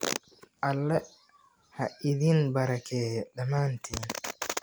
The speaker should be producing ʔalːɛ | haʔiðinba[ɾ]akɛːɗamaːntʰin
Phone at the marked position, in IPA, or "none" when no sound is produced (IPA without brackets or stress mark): ɾ